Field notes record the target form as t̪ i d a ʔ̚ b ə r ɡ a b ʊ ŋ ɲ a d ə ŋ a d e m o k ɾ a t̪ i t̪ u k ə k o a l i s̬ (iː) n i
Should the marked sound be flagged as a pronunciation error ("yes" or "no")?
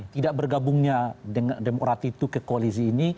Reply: no